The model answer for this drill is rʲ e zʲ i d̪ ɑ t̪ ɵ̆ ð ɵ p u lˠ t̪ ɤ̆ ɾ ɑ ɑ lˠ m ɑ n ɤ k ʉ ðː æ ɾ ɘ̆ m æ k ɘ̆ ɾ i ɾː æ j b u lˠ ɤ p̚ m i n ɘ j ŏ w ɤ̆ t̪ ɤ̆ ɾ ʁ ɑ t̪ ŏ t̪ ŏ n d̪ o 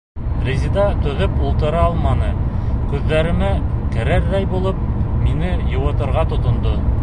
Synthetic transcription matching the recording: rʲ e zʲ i d̪ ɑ t̪ ɵ̆ ð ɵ p u lˠ t̪ ɤ̆ ɾ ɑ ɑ lˠ m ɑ n ɤ k ʉ ðː æ ɾ ɘ̆ m æ k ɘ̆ ɾ æ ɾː æ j b u lˠ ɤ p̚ m i n ɘ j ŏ w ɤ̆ t̪ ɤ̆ ɾ ʁ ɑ t̪ ŏ t̪ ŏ n d̪ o

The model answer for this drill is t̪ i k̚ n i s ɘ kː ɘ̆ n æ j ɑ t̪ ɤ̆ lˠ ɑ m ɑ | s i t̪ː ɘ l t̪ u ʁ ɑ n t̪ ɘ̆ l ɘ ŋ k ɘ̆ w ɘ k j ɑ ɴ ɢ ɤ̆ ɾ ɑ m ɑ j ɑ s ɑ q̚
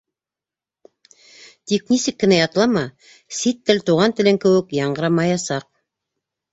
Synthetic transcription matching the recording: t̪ i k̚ n i s ɘ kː ɘ̆ n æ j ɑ t̪ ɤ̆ lˠ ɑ m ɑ | s i t̪ː ɘ l t̪ u ʁ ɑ n t̪ ɘ̆ l ɘ ŋ k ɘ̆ w ɘ k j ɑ ɴ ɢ ɤ̆ ɾ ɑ m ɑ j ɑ s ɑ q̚

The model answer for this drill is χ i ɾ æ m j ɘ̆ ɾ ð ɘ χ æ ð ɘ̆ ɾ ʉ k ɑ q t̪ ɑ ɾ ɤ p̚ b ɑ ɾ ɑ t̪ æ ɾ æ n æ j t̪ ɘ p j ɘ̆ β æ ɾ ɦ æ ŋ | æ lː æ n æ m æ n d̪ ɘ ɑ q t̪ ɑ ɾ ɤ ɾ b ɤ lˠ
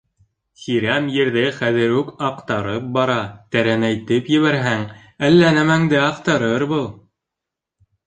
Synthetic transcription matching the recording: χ i ɾ æ m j ɘ̆ ɾ ð ɘ χ æ ð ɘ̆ ɾ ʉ k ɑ q t̪ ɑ ɾ ɤ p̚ b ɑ ɾ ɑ t̪ æ ɾ æ n æ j t̪ ɘ p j ɘ̆ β æ ɾ ɦ æ ŋ | æ lː æ n æ m æ ŋ d̪ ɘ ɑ q t̪ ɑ ɾ ɤ ɾ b ɤ lˠ

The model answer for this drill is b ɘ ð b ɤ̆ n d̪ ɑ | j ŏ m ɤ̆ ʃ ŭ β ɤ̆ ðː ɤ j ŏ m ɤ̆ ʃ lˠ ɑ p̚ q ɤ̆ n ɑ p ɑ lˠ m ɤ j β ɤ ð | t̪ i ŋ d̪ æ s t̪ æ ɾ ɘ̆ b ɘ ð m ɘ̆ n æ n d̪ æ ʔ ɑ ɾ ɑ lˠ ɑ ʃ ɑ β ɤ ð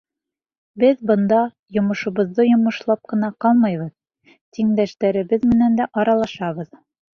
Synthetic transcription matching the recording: b ɘ ð b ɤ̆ n d̪ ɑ | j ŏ m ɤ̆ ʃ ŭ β ɤ̆ ðː ɤ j ŏ m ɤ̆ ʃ lˠ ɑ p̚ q ɤ̆ n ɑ q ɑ lˠ m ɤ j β ɤ ð | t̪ i ŋ d̪ æ ʃ t̪ æ ɾ ɘ̆ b ɘ ð m ɘ̆ n æ n d̪ æ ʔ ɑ ɾ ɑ lˠ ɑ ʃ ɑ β ɤ ð

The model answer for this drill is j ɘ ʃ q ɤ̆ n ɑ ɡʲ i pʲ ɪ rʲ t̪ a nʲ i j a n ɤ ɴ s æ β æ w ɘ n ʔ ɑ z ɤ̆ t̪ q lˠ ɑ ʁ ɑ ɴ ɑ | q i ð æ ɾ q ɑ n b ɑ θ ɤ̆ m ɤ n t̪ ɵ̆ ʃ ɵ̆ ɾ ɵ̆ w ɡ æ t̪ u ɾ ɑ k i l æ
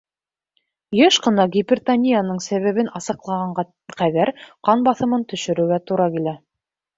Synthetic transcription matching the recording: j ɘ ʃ q ɤ̆ n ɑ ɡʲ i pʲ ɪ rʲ t̪ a nʲ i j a n ɤ ɴ s æ β æ β ɘ n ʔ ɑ s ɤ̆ q lˠ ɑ ʁ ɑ ɴ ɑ | q æ ð æ ɾ q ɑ n b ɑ θ ɤ̆ m ɤ n t̪ ɵ̆ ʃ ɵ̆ ɾ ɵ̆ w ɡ æ t̪ u ɾ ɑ k i l æ

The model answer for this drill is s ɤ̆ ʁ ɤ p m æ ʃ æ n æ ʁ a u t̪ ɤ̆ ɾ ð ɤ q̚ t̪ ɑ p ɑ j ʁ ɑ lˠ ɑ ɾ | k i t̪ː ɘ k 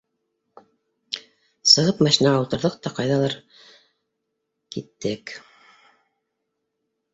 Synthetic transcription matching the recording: s ɤ̆ ʁ ɤ p m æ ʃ i n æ ʁ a u t̪ ɤ̆ ɾ ð ɤ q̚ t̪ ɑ q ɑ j ð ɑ lˠ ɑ ɾ | k i t̪ː ɘ k

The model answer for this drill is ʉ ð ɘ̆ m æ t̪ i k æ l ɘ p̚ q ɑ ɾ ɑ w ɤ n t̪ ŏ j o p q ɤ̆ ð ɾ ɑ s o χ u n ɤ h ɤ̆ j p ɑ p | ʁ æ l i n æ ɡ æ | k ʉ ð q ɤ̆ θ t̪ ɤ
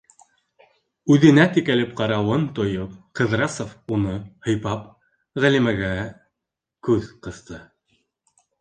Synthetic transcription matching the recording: ʉ ð ɘ̆ n æ t̪ i k æ l ɘ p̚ q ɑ ɾ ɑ w ɤ n t̪ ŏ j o p q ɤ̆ ð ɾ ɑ s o f u n ɤ h ɤ̆ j p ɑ p | ʁ æ l i m æ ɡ æ | k ʉ ð q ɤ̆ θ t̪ ɤ

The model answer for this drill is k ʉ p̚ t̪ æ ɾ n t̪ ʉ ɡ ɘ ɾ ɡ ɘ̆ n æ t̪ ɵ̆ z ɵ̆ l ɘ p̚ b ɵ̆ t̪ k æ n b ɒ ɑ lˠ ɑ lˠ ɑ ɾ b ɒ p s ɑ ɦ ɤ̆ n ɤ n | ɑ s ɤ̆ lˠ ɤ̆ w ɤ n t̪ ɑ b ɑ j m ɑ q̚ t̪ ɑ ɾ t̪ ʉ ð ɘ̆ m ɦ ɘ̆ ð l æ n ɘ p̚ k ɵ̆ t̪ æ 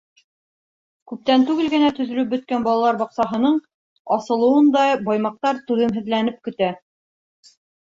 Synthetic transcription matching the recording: k ʉ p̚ t̪ æ n t̪ ʉ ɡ ɘ l ɡ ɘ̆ n æ t̪ ɵ̆ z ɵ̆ l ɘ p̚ b ɵ̆ t̪ k æ n b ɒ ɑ lˠ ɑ lˠ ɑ ɾ b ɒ q s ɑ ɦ ɤ̆ n ɤ ɴ | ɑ s ɤ̆ lˠ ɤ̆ w ɤ n d̪ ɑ b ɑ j m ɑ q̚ t̪ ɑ ɾ t̪ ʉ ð ɘ̆ m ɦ ɘ̆ ð l æ n ɘ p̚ k ɵ̆ t̪ æ

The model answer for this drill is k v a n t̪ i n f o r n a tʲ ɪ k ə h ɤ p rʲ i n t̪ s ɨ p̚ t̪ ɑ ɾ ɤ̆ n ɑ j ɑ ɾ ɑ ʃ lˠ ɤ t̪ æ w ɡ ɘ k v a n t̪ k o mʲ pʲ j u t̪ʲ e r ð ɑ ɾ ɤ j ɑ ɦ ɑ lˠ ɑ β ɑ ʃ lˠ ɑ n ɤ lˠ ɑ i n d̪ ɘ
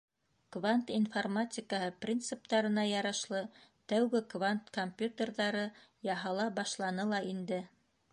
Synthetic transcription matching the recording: k v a n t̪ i n f o r m a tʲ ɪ k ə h ɤ p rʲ i n t̪ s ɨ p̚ t̪ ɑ ɾ ɤ̆ n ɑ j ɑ ɾ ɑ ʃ lˠ ɤ t̪ æ w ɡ ɘ k v a n t̪ k o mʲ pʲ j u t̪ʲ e r ð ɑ ɾ ɤ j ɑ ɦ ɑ lˠ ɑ b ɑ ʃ lˠ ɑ n ɤ lˠ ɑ i n d̪ ɘ

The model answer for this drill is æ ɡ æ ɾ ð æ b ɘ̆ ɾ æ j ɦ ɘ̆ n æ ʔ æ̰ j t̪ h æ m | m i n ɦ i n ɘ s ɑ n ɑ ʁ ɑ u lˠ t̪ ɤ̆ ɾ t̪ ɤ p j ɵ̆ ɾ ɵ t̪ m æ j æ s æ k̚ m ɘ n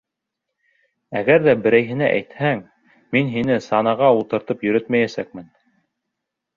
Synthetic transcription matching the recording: æ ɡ æ ɾ ð æ b ɘ̆ ɾ æ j ɦ ɘ̆ n æ ʔ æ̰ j t̪ h æ ŋ | m i n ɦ i n ɘ s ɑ n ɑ ʁ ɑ u lˠ t̪ ɤ̆ ɾ t̪ ɤ p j ɵ̆ ɾ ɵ t̪ m æ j æ s æ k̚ m ɘ n

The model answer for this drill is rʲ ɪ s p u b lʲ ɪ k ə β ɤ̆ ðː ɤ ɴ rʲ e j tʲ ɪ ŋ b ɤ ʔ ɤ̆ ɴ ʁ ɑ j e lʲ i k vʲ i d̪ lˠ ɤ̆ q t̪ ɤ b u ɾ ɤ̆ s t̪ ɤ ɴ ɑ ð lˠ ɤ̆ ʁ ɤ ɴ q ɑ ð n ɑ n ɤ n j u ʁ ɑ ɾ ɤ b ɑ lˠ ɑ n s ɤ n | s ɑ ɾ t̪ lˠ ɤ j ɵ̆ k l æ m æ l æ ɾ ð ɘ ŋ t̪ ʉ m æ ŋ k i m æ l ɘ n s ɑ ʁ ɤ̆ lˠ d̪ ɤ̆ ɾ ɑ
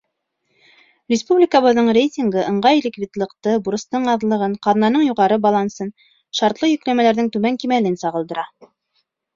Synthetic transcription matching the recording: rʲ ɪ s p u b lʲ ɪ k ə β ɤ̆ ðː ɤ ɴ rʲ e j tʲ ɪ ŋ ɡ ɤ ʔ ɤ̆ ɴ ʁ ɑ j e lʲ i k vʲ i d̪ lˠ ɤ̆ q t̪ ɤ b u ɾ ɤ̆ s t̪ ɤ ɴ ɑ ð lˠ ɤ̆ ʁ ɤ ɴ q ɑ ð n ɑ n ɤ ɴ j u ʁ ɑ ɾ ɤ b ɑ lˠ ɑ n s ɤ n | ʃ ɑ ɾ t̪ lˠ ɤ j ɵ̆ k l æ m æ l æ ɾ ð ɘ ŋ t̪ ʉ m æ ŋ k i m æ l ɘ n s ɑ ʁ ɤ̆ lˠ d̪ ɤ̆ ɾ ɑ

